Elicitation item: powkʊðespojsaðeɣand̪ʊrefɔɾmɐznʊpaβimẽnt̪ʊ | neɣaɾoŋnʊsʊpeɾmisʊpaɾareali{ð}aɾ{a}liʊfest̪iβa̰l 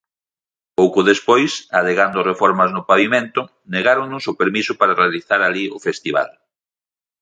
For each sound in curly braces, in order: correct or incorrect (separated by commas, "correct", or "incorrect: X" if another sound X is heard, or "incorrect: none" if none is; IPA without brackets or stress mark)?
incorrect: θ, correct